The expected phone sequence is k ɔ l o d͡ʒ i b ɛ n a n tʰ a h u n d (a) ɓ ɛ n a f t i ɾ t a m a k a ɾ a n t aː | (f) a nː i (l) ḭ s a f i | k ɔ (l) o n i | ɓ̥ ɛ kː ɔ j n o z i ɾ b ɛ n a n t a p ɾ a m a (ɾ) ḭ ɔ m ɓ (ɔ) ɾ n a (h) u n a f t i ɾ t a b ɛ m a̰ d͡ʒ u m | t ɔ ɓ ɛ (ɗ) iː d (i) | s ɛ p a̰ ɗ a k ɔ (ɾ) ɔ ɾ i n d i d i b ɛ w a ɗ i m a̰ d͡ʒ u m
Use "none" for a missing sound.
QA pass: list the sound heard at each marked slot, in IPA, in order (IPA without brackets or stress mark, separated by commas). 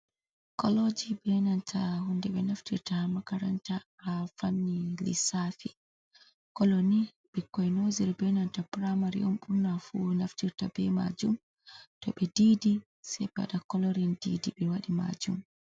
ɛ, f, l, l, ɾ, u, f, d, i, l